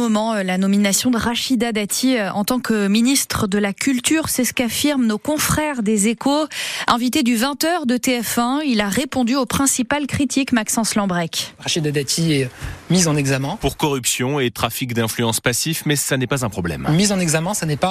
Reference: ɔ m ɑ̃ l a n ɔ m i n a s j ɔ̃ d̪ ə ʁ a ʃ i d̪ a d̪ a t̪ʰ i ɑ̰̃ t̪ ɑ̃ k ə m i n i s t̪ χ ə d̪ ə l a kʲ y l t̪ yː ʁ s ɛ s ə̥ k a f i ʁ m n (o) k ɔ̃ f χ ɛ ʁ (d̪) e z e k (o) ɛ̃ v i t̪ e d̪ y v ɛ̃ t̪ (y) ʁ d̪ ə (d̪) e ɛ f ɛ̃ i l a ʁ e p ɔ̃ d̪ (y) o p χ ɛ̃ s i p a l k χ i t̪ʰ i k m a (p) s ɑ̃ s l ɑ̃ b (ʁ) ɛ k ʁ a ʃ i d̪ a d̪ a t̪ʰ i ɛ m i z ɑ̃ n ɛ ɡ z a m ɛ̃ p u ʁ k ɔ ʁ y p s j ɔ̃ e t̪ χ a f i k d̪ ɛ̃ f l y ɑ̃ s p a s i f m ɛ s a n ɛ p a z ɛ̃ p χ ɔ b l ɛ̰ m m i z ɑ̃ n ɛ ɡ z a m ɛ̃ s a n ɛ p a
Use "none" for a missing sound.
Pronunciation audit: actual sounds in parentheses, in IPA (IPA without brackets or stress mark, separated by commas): o, d̪, o, œ, t̪, y, k, ʁ